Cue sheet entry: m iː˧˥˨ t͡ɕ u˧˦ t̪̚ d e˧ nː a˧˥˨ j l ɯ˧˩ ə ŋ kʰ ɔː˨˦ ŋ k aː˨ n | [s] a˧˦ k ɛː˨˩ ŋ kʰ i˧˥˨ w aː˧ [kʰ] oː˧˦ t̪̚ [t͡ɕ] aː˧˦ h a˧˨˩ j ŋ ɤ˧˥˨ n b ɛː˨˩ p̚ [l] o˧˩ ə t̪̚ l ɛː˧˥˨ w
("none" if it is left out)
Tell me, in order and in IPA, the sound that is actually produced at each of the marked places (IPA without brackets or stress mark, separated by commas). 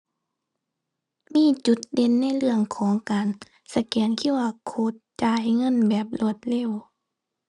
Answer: s, kʰ, t͡ɕ, l